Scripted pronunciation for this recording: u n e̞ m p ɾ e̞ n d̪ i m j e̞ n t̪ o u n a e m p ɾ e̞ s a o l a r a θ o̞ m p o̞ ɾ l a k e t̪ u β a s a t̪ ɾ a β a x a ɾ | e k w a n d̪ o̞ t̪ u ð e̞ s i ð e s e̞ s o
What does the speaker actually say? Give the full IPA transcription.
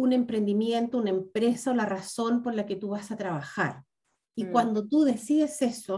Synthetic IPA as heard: u n e̞ m p ɾ e̞ n d̪ i m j e̞ n t̪ o u n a e m p ɾ e̞ s a o l a r a s o̞ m p o̞ ɾ l a k e t̪ u β a s a t̪ ɾ a β a x a ɾ | i k w a n d̪ o̞ t̪ u ð e̞ s i ð e s e̞ s o